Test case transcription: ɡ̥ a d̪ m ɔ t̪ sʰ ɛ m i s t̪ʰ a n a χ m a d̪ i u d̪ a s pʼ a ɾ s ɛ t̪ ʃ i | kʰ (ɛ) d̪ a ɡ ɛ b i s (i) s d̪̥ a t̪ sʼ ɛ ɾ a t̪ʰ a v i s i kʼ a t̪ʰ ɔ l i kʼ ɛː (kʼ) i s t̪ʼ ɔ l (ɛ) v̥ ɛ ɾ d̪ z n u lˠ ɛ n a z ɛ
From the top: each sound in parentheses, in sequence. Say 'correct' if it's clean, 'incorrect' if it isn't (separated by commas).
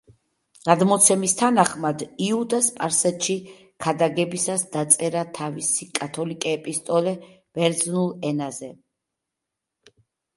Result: incorrect, incorrect, incorrect, correct